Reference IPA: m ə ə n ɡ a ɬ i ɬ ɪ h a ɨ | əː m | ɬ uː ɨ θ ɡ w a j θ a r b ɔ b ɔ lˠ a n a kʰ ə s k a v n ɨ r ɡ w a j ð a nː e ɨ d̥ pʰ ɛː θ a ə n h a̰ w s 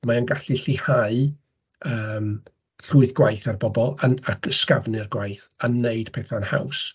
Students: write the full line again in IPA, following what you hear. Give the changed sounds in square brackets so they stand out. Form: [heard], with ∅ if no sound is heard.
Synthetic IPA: m [a] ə n ɡ a ɬ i ɬ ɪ h a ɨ | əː m | ɬ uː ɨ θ ɡ w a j θ a r b ɔ b ɔ lˠ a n a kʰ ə s k a v n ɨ r ɡ w a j [θ] a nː e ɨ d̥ pʰ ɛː θ a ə n h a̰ w s

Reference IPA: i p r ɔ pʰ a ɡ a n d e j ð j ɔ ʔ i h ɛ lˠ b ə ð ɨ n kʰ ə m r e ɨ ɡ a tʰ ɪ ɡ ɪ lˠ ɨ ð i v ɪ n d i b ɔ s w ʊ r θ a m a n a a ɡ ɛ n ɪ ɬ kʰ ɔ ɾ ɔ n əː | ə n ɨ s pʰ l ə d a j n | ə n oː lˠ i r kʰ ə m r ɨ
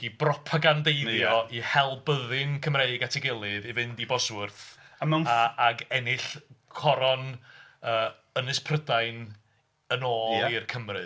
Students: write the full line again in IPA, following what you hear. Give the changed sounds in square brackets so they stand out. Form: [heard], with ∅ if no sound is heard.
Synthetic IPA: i [b] r ɔ pʰ a ɡ a n d e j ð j ɔ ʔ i h ɛ lˠ b ə ð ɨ n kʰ ə m r e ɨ ɡ a tʰ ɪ ɡ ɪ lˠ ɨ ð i v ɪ n d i b ɔ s w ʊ r θ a m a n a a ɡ ɛ n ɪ ɬ kʰ ɔ ɾ ɔ n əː | ə n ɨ s pʰ [r] ə d a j n | ə n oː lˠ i r kʰ ə m r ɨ

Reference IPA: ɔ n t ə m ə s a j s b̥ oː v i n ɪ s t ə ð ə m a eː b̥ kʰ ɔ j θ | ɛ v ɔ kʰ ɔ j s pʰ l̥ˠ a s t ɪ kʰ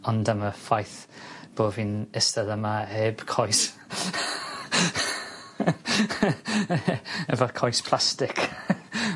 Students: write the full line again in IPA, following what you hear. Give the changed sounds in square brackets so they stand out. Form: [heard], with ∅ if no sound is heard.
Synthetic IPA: ɔ n [d] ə m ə [f] a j [θ] b̥ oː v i n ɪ s t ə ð ə m a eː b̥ kʰ ɔ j [s] | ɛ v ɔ kʰ ɔ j s pʰ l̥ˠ a s t ɪ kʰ

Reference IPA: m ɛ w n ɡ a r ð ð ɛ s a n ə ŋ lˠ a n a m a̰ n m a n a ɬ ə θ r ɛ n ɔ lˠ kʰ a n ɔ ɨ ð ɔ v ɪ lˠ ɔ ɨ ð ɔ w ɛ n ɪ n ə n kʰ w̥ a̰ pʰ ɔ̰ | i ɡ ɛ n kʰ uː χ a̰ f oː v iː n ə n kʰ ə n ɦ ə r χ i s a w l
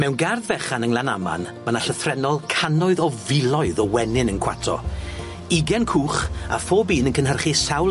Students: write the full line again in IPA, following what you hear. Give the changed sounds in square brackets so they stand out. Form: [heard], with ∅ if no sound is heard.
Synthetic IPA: m ɛ w n ɡ a r ð [v] ɛ [χ] a n ə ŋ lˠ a n a m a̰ n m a n a ɬ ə θ r ɛ n ɔ lˠ kʰ a n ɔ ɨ ð ɔ v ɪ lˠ ɔ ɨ ð ɔ w ɛ n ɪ n ə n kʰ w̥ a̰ [tʰ] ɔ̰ | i ɡ ɛ n kʰ uː χ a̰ f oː [b] iː n ə n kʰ ə n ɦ ə r χ i s a w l

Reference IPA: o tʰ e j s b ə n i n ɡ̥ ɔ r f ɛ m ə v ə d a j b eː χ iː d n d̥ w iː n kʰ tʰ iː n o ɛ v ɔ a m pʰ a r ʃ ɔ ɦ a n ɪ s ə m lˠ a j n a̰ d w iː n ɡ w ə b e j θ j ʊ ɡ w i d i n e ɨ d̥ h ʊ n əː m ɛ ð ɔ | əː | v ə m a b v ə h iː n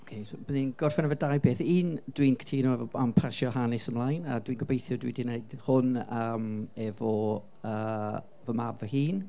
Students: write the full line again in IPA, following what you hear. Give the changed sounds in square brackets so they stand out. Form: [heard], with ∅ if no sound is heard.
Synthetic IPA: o [kʰ] e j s b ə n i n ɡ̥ ɔ r f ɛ [n] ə v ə d a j b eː [θ] iː [∅] n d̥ w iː n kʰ tʰ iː n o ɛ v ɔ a m pʰ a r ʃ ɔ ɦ a n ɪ s ə m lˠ a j n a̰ d w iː n ɡ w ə b e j θ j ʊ [d] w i d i n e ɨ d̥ h ʊ n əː m ɛ [v] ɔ | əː | v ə m a b v ə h iː n

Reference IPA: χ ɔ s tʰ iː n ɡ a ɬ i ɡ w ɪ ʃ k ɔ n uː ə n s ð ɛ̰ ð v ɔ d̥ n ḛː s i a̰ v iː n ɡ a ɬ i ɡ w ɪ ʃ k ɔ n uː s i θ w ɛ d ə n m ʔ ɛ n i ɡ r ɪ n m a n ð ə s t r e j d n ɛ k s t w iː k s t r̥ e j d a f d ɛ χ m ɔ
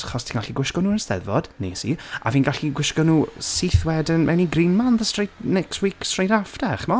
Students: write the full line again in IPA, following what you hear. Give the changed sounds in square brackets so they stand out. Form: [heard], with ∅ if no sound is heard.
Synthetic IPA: χ ɔ s tʰ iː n ɡ a ɬ i ɡ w ɪ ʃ k ɔ n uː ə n s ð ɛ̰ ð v ɔ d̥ n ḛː s i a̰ v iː n ɡ a ɬ i ɡ w ɪ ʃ k ɔ n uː s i θ w ɛ d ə n m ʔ ɛ n i ɡ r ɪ n m a n ð ə s t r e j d n ɛ k s t w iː k s t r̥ e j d a f d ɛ χ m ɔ

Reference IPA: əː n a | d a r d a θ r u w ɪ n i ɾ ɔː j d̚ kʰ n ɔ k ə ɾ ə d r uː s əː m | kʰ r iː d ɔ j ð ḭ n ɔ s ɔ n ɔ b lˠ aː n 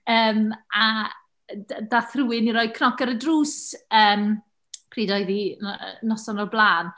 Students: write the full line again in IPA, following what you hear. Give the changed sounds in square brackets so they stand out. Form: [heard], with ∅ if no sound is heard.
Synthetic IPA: əː [m] a | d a [∅] d a θ r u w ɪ n i ɾ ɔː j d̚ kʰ n ɔ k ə ɾ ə d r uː s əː m | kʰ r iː d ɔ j ð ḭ n ɔ s ɔ n ɔ b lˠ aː n

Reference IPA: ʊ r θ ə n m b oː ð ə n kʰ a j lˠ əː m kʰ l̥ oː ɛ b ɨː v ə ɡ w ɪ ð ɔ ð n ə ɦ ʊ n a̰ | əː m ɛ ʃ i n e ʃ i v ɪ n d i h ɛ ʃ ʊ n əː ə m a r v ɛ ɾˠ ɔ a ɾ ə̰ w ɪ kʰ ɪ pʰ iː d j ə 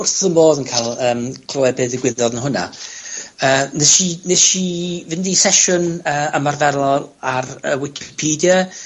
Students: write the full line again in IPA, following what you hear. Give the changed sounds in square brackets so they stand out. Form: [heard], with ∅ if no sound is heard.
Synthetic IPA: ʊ r θ ə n m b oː ð ə n kʰ a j lˠ əː m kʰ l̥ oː ɛ b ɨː [ð] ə ɡ w ɪ ð ɔ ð n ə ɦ ʊ n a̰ | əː [n] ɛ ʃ i n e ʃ i v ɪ n d i [s] ɛ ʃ ʊ n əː ə m a r v ɛ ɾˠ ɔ a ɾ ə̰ w ɪ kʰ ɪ pʰ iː d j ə

